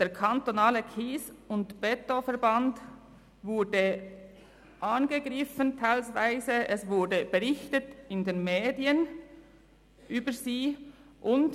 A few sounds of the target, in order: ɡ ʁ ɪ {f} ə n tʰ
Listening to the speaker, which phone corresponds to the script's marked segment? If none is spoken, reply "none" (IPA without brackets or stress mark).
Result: f